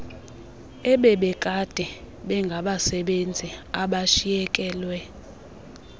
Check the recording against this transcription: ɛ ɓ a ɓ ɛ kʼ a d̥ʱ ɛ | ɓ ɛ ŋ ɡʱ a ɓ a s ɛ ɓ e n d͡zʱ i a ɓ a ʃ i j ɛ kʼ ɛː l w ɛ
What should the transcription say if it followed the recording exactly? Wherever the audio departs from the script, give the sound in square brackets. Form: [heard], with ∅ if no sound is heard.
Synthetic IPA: ɛ ɓ [ɛ] ɓ ɛ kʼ a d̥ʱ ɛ | ɓ ɛ ŋ ɡʱ a ɓ a s ɛ ɓ e n d͡zʱ i a ɓ a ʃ i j ɛ kʼ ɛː l w ɛ

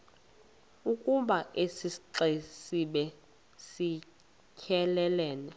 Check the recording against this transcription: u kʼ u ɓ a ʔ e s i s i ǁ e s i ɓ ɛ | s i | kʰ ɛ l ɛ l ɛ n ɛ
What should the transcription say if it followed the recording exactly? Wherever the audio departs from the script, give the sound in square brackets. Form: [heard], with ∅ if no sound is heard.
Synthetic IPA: u kʼ u ɓ a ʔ e s i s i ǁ e s i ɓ ɛ | s i | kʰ ɛ l ɛ l [ɛː] n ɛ

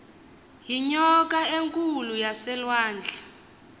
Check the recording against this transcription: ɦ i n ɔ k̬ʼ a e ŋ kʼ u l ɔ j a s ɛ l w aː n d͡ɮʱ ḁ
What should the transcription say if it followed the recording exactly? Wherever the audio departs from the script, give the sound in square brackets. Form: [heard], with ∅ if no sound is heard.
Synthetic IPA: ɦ i [ɲ] ɔ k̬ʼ a e ŋ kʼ u l [u] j a s ɛ l w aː n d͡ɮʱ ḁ

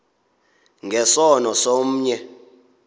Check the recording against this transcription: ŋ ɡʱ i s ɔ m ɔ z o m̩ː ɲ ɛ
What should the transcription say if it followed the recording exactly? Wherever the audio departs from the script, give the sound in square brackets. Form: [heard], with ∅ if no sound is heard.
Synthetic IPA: ŋ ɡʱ [ɛ] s ɔ [n] ɔ [s] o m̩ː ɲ ɛ

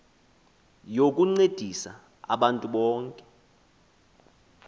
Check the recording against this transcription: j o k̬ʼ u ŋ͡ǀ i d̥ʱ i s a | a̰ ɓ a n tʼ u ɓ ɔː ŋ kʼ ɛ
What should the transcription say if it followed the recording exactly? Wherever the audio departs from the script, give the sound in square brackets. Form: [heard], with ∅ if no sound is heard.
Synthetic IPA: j o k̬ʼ u ŋ͡ǀ [e] d̥ʱ i s a | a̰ ɓ a n tʼ u ɓ ɔː ŋ kʼ ɛ

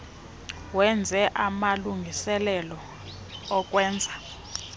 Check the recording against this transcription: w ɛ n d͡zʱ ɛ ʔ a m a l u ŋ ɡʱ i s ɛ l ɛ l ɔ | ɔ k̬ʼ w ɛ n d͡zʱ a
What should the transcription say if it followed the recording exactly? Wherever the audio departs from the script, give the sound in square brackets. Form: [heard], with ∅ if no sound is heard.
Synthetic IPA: w ɛ n d͡zʱ ɛ ʔ a m a l u ŋ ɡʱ i s ɛ l ɛ l ɔ | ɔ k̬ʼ w [ɛː] n d͡zʱ a

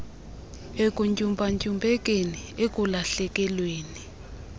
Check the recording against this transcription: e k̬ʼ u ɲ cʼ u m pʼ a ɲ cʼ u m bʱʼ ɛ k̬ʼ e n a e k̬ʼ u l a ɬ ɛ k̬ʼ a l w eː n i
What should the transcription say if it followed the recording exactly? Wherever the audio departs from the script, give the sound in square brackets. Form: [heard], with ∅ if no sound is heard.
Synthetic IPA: e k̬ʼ u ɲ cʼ u m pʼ a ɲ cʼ u m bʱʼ ɛ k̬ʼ e n [i] e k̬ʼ u l a ɬ ɛ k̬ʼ [ɛ] l w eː n i

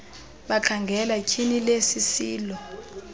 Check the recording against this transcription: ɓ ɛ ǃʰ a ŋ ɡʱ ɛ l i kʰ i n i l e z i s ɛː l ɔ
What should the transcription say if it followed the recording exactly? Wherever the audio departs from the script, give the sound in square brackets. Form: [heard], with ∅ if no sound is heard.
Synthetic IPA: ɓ [a] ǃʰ a ŋ ɡʱ ɛ l [a] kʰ i n i l e [s] i s [iː] l ɔ

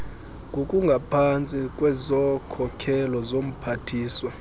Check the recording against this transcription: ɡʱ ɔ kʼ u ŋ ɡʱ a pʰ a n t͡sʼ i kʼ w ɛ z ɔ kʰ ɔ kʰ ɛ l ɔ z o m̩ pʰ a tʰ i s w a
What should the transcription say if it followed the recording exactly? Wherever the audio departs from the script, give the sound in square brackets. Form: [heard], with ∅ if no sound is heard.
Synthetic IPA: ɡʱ [o] kʼ u ŋ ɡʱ a pʰ a n t͡sʼ i kʼ w ɛ z ɔ kʰ ɔ kʰ ɛ l ɔ z o m̩ pʰ a tʰ [iː] s w a

